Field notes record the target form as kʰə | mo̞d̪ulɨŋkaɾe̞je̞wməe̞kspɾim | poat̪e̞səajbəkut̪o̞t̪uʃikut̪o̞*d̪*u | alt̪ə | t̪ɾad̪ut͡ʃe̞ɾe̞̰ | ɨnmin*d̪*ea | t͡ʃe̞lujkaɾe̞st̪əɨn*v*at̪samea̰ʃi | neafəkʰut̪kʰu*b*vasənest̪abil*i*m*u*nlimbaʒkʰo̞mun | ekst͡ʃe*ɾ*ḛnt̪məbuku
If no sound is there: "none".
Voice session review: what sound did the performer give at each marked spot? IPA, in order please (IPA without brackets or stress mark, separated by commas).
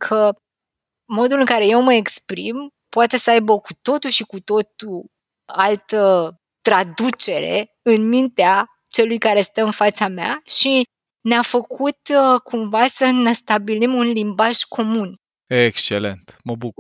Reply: t̪, t̪, f, m, i, u, l